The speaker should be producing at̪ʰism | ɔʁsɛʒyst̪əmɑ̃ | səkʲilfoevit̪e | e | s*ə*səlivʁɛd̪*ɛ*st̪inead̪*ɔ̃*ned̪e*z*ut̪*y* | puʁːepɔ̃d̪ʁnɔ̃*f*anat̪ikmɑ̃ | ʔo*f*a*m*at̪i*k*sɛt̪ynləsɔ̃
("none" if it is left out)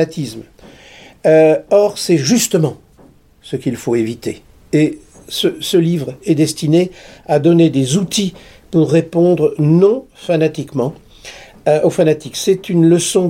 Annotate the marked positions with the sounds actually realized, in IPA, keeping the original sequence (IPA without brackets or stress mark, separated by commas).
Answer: ə, ɛ, ɔ, z, i, f, f, n, k